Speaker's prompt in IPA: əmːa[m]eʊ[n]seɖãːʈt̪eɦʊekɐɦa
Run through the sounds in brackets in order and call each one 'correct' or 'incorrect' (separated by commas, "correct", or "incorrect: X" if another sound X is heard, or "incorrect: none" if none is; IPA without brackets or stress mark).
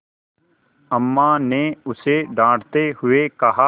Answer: incorrect: n, incorrect: none